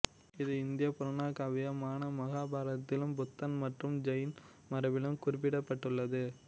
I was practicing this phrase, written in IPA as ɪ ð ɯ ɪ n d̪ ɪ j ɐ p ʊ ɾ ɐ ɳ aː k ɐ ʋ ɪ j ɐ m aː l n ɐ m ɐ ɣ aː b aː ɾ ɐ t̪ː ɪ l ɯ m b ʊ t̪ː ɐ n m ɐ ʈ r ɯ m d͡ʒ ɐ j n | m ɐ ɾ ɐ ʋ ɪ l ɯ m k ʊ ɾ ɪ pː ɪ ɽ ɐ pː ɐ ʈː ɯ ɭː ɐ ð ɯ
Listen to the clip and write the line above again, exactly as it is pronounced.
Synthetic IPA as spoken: ɪ ð ɯ ɪ n d̪ ɪ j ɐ p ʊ ɾ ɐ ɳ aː k ɐ ʋ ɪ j ɐ m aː n ɐ m ɐ ɣ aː b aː ɾ ɐ t̪ː ɪ l ɯ m b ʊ t̪ː ɐ n m ɐ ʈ r ɯ m d͡ʒ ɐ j n | m ɐ ɾ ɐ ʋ ɪ l ɯ m k ʊ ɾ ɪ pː ɪ ɽ ɐ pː ɐ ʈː ɯ ɭː ɐ ð ɯ